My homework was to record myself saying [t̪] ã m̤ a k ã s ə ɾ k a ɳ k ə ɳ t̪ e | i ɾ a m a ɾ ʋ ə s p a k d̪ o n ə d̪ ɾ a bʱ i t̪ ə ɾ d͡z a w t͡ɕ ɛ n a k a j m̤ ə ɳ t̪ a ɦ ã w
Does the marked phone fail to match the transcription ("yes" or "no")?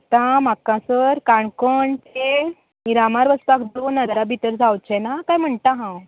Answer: no